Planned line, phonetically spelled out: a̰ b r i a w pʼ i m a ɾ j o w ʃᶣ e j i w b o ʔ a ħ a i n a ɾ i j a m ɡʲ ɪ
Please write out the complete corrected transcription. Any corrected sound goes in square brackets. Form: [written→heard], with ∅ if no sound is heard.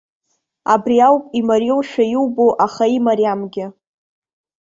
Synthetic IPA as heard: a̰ b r i a w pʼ i m a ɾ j o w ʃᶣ [e→a] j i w b o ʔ a [ħ→χ] a i [n→m] a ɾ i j a m ɡʲ ɪ